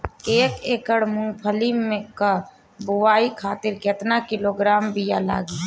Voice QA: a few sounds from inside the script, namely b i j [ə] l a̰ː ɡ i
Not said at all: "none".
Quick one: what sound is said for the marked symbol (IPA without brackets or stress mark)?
a